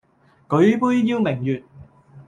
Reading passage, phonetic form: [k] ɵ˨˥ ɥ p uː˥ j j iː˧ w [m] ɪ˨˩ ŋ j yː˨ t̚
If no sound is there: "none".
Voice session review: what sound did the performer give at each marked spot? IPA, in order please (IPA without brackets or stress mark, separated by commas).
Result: k, m